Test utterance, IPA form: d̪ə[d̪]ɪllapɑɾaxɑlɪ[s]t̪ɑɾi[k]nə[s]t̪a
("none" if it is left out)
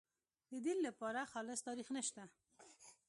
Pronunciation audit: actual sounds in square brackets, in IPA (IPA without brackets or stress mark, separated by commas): d̪, s, x, ʃ